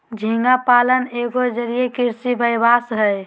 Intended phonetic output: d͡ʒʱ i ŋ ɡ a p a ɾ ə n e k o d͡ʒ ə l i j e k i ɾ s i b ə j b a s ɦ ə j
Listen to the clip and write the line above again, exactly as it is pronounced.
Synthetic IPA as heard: d͡ʒʱ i ŋ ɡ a p a l ə n e ɡ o d͡ʒ ə ɾ i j e k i ɾ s i b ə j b a s ɦ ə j